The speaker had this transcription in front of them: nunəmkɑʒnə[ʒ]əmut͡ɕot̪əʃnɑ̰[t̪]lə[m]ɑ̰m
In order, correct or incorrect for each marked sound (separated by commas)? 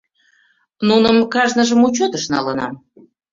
correct, incorrect, incorrect